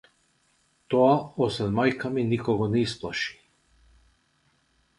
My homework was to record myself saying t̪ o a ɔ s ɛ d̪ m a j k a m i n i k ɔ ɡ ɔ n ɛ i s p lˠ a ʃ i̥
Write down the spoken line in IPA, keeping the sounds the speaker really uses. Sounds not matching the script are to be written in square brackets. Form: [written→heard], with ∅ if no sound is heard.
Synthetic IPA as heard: t̪ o a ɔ s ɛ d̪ m a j k a m i n i k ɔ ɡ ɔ n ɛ i s p lˠ a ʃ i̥